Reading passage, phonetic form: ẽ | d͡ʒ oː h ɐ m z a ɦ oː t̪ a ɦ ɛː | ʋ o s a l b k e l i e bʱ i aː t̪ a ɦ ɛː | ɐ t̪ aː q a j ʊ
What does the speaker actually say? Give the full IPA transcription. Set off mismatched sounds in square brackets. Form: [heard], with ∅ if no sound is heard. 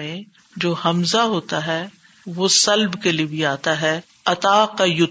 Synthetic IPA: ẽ | d͡ʒ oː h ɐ m z a ɦ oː t̪ a ɦ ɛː | ʋ o s [ɐ] l b k e l i e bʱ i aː t̪ a ɦ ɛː | ɐ t̪ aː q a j ʊ